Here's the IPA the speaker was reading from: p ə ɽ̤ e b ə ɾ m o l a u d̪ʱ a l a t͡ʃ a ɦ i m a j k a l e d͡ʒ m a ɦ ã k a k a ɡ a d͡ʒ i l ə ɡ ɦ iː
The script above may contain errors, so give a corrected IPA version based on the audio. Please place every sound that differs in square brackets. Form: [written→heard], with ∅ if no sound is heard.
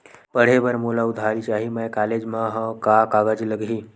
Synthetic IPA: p ə ɽ̤ e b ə ɾ m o l a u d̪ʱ a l [a→i] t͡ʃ a ɦ i m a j k a l e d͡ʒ m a ɦ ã k a k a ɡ a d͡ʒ i l ə ɡ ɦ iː